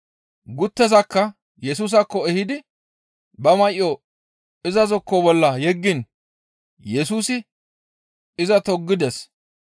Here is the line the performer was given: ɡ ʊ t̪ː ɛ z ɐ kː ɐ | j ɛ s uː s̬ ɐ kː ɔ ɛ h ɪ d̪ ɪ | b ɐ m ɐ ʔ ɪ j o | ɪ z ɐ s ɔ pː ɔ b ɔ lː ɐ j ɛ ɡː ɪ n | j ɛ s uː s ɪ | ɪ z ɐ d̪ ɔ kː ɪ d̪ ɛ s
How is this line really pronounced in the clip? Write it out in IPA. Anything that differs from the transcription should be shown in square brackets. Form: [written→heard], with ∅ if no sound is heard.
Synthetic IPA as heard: ɡ ʊ t̪ː ɛ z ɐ kː ɐ | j ɛ s uː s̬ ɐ kː ɔ ɛ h ɪ d̪ ɪ | b ɐ m ɐ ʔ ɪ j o | ɪ z ɐ [s→z] ɔ [pː→kː] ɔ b ɔ lː ɐ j ɛ ɡː ɪ n | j ɛ s uː s ɪ | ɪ z ɐ [d̪→t̪] ɔ [kː→ɡː] ɪ d̪ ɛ s